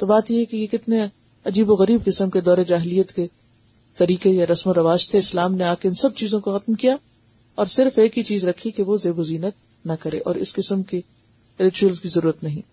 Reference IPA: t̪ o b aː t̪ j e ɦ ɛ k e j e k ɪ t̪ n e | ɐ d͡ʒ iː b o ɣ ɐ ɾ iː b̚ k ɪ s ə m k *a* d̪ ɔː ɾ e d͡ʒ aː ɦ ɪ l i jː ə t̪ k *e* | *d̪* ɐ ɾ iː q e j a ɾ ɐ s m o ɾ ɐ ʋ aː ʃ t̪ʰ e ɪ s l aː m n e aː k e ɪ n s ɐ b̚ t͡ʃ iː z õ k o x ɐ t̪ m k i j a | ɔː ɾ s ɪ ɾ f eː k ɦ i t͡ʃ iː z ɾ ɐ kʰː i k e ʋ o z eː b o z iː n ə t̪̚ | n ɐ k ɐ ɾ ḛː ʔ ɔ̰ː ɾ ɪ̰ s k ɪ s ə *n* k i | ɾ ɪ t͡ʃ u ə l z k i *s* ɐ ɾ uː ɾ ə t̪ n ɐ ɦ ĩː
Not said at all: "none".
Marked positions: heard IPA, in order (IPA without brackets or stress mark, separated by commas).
e, e, t̪, m, z